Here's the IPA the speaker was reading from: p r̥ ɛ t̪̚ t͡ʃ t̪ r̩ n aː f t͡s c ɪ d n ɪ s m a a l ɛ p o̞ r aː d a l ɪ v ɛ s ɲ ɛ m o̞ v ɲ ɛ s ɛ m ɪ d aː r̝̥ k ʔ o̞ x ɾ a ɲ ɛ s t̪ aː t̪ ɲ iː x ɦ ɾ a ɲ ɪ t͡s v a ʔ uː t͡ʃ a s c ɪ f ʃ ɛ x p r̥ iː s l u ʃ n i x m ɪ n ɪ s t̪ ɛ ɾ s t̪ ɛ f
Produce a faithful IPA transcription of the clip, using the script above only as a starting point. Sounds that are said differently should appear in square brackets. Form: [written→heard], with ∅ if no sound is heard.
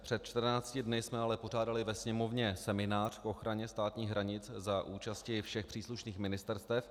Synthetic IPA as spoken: p r̥ ɛ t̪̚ t͡ʃ t̪ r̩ n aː [f→∅] t͡s c ɪ d n ɪ s m [a→ɛ] a l ɛ p o̞ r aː d a l ɪ v ɛ s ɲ ɛ m o̞ v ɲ ɛ s ɛ m ɪ [d→n] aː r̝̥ k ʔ o̞ x ɾ a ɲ ɛ s t̪ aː t̪ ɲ iː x ɦ ɾ a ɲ ɪ t͡s [v→z] a ʔ uː t͡ʃ a s c ɪ f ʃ ɛ x p r̥ iː s l u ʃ n [i→iː] x m ɪ n ɪ s t̪ ɛ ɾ s t̪ ɛ f